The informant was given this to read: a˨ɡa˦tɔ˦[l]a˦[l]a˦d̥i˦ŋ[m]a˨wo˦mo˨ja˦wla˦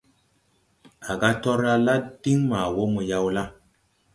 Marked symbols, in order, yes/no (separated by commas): no, yes, yes